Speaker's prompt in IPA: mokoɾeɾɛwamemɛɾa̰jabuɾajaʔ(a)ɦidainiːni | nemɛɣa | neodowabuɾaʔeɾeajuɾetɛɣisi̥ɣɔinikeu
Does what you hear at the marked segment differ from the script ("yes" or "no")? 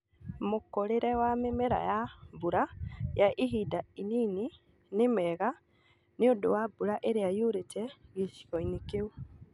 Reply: yes